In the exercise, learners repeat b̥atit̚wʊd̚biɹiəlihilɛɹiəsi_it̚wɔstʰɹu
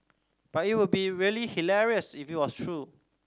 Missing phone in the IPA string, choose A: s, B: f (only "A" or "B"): B